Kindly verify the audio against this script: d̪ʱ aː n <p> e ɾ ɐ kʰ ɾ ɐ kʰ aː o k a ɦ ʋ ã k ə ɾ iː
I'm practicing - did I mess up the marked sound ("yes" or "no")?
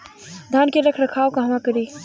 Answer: yes